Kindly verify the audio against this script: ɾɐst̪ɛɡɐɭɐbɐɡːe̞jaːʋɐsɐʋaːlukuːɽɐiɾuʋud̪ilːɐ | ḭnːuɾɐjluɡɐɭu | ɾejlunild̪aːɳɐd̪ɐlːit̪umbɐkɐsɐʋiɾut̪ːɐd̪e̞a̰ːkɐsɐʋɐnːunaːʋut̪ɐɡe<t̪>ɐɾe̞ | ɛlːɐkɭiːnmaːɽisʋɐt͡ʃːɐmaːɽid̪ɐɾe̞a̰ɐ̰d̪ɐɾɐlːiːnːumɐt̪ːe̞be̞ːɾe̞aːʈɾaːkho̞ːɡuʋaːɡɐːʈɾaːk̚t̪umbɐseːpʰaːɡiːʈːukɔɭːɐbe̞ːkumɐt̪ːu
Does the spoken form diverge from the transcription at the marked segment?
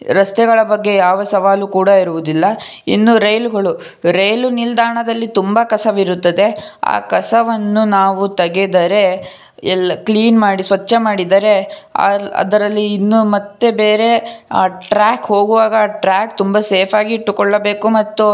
yes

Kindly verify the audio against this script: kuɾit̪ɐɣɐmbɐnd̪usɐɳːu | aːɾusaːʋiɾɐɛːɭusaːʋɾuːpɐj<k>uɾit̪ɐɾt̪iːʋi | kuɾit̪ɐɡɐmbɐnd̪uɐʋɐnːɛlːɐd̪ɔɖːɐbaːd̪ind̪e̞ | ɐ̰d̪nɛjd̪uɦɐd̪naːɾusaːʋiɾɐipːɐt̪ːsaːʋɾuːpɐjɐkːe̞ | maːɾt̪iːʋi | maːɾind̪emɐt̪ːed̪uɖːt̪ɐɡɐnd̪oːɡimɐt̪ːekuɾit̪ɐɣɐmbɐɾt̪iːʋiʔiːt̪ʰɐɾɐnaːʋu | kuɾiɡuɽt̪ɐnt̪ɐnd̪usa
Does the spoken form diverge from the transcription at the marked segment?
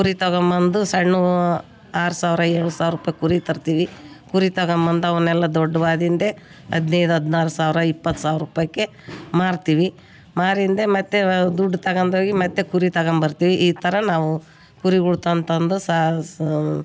no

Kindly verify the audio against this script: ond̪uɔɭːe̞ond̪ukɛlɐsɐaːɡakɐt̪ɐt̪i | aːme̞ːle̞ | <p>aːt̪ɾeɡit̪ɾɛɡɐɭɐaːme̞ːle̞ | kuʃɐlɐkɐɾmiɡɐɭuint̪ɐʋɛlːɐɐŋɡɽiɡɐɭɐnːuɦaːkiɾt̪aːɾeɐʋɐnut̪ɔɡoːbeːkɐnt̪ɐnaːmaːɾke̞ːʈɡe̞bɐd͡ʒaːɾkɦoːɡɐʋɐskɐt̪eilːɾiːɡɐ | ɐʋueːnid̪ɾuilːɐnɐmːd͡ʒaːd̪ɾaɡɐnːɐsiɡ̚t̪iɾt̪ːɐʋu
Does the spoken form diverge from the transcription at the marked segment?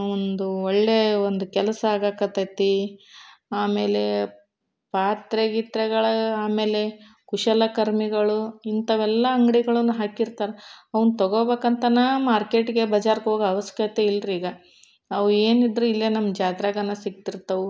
no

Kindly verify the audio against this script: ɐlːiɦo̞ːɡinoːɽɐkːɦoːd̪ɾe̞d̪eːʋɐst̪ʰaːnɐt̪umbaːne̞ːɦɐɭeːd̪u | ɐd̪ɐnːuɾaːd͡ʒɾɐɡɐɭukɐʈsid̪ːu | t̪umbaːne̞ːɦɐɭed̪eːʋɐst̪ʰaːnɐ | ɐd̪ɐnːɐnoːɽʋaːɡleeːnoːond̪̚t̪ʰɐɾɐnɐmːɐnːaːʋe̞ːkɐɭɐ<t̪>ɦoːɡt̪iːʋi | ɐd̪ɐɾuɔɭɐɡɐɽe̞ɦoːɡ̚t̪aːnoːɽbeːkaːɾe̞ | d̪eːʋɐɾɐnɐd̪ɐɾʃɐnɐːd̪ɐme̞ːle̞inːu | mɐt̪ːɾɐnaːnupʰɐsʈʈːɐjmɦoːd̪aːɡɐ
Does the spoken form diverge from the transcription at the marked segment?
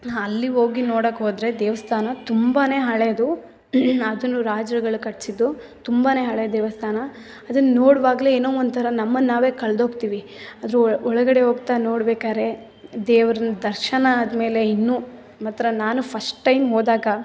yes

